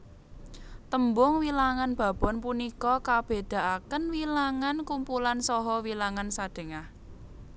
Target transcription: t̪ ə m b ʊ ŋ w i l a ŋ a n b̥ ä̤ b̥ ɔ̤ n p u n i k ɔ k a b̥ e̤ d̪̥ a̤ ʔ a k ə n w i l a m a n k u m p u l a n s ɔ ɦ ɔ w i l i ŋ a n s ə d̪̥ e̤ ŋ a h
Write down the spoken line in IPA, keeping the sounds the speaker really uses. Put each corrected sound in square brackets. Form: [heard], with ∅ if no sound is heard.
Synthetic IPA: t̪ ə m b ʊ ŋ w i l a ŋ a n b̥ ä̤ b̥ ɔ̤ n p u n i k ɔ k a b̥ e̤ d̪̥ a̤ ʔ a k ə n w i l a [ŋ] a n k u m p u l a n s ɔ ɦ ɔ w i l [a] ŋ a n s [a] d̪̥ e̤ ŋ a h

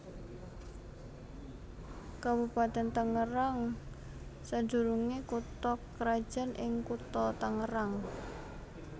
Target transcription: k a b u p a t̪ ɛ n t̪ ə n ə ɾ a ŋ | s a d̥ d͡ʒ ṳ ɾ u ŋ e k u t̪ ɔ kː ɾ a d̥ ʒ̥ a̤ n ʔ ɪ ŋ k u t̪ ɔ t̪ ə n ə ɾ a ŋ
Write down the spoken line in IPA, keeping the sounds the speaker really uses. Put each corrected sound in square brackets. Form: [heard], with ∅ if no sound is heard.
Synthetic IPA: k a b u p a t̪ ɛ n t̪ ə [ŋ] ə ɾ a ŋ | s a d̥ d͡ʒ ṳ ɾ u ŋ e k u t̪ ɔ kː ɾ a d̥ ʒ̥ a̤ n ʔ ɪ ŋ k u t̪ ɔ t̪ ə [ŋ] ə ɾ a ŋ

